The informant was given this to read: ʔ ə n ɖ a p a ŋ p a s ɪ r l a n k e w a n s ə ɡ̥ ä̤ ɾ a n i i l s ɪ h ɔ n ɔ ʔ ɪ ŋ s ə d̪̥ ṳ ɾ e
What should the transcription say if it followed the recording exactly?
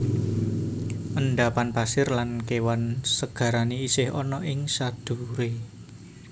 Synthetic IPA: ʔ ə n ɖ a p a n p a s ɪ r l a n k e w a n s ə ɡ̥ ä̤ ɾ a n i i s ɪ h ɔ n ɔ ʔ ɪ ŋ s a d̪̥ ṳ ɾ e